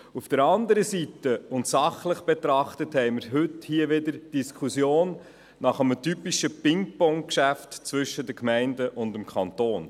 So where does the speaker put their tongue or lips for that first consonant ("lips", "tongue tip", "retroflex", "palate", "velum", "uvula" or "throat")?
lips